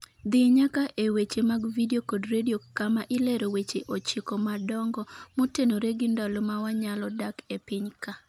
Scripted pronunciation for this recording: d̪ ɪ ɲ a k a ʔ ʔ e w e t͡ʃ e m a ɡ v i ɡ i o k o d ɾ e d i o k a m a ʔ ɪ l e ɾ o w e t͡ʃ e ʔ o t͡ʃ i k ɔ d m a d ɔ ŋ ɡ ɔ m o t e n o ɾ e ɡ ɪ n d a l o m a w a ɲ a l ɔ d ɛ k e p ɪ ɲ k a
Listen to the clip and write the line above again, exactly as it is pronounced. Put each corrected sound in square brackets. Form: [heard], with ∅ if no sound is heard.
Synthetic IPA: d̪ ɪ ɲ a k a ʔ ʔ e w e t͡ʃ e m a ɡ v i [d] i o k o d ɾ e d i o k a m a ʔ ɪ l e ɾ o w e t͡ʃ e ʔ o t͡ʃ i k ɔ [∅] m a d ɔ ŋ ɡ ɔ m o t e n o ɾ e ɡ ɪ n d a l o m a w a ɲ a l ɔ d [a] k e p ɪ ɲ k a